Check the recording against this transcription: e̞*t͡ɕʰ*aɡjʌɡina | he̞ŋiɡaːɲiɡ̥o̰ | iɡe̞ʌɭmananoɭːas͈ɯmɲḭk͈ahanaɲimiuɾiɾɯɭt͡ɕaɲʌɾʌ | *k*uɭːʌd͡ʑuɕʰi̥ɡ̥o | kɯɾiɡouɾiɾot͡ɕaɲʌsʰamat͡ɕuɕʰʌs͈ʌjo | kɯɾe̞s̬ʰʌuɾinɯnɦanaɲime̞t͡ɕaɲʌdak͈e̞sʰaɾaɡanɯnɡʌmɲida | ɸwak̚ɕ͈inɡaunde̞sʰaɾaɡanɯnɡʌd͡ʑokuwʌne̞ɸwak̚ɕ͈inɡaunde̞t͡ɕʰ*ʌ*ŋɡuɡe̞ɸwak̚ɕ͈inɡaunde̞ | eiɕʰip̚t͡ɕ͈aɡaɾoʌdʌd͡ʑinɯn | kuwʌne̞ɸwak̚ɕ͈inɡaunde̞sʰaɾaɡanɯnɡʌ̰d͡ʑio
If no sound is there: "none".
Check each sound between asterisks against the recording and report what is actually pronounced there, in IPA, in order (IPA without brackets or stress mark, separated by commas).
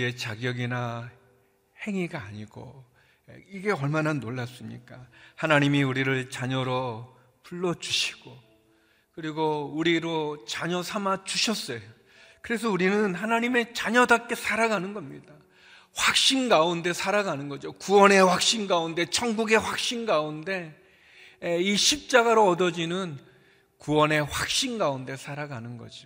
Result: t͡ɕ, p, ʌ